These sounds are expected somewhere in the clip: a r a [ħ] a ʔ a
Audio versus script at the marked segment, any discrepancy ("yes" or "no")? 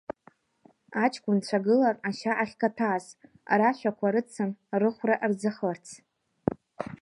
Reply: yes